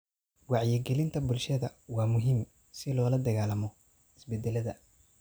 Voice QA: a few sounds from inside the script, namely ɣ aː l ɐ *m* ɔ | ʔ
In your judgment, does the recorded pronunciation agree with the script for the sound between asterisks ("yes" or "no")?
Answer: yes